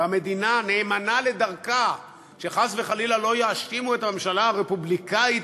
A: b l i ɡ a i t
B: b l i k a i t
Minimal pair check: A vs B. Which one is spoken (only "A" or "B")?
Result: B